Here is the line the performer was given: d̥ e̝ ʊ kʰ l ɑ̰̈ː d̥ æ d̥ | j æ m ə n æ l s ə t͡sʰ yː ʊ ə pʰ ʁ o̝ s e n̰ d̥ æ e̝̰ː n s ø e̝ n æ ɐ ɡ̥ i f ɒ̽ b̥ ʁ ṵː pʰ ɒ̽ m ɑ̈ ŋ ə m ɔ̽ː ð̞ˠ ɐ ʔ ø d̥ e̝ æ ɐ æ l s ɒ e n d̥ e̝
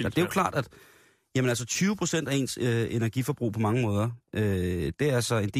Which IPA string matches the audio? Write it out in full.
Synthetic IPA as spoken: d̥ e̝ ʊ kʰ l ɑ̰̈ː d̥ æ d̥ | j æ m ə n æ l s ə t͡sʰ yː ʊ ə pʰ ʁ o̝ s e n̰ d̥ æ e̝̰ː n s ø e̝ n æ ɐ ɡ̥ i f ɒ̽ b̥ ʁ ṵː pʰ ɒ̽ m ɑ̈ ŋ ə m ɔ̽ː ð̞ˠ ɐ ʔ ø d̥ e̝ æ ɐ æ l s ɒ e n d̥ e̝